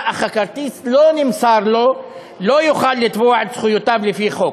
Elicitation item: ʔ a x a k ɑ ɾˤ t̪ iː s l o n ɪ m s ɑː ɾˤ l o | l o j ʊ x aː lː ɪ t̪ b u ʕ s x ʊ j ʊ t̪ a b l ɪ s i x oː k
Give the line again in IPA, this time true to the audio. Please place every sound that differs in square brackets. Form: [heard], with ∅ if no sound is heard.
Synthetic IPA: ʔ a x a k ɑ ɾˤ t̪ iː s l o n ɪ m s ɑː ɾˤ l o | l o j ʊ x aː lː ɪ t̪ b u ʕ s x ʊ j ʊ t̪ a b l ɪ [f] i x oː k